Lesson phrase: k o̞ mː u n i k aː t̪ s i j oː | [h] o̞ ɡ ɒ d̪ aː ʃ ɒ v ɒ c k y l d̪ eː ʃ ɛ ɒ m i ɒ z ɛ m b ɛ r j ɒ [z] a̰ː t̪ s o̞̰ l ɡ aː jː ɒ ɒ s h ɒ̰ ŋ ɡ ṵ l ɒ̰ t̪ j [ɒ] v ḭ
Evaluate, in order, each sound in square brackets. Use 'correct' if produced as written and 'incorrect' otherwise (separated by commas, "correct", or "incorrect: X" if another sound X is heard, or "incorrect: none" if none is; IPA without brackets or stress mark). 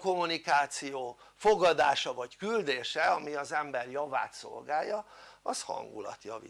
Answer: incorrect: f, incorrect: v, correct